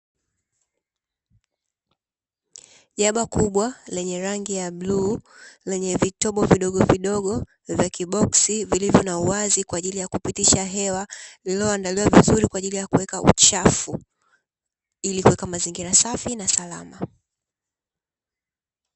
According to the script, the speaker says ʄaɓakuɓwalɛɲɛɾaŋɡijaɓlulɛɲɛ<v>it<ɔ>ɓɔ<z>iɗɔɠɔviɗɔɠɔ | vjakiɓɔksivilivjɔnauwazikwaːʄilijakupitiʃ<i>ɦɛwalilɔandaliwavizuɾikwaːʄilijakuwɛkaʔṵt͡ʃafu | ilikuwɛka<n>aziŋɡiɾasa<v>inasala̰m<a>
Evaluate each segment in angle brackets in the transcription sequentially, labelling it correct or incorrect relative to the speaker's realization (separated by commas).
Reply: correct, correct, incorrect, incorrect, incorrect, incorrect, correct